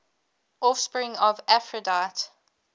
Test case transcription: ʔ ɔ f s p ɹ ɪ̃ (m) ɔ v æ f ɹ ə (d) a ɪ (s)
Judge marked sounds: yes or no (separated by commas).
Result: no, yes, no